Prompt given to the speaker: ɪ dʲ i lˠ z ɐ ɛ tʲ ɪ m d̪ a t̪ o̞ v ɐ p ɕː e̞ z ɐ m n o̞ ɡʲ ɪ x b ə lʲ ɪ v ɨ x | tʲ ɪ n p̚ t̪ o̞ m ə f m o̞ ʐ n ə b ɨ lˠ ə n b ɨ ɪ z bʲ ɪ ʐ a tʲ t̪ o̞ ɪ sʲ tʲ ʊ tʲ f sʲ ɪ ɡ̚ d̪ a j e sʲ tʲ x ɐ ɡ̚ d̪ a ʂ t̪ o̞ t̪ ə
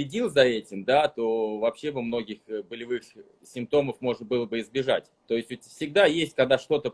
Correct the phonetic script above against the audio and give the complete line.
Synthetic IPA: ɪ dʲ i lˠ z ɐ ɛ tʲ ɪ m d̪ a t̪ o̞ v ɐ p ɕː e̞ v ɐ m n o̞ ɡʲ ɪ x b ə lʲ ɪ v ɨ x | sʲ ɪ m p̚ t̪ o̞ m ə f m o̞ ʐ n ə b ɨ lˠ ə b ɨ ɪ z bʲ ɪ ʐ a tʲ t̪ o̞ ɪ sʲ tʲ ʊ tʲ f sʲ ɪ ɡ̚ d̪ a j e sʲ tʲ k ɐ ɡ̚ d̪ a ʂ t̪ o̞ t̪ ə